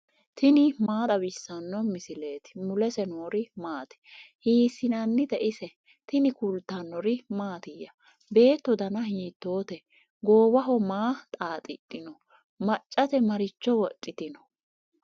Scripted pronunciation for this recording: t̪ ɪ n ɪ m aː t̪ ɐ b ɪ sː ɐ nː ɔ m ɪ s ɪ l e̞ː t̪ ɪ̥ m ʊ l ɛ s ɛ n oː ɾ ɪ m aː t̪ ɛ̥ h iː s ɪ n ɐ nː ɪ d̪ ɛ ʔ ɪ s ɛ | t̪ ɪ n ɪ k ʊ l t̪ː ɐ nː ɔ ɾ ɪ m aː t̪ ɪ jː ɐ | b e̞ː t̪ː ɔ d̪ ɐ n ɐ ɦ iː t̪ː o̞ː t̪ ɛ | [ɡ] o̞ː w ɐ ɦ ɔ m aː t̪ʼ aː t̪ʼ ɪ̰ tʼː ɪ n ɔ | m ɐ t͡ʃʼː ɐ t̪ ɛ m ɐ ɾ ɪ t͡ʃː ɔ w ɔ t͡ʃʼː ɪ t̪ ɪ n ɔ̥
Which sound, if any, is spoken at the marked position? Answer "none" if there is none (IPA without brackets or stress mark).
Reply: ɡ